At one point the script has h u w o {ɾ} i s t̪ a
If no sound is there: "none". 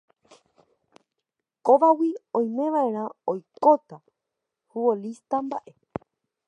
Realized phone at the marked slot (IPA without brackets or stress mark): l